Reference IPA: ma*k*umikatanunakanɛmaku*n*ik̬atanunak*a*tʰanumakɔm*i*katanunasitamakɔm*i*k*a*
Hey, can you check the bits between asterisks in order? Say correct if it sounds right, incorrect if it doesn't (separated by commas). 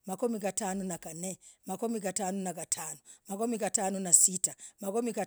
correct, incorrect, correct, correct, correct, correct